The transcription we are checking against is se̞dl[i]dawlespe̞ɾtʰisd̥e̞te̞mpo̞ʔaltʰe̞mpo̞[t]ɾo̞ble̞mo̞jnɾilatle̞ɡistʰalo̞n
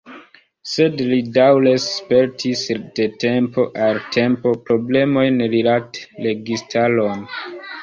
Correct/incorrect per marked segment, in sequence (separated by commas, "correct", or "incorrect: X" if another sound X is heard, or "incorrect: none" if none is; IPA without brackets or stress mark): correct, incorrect: p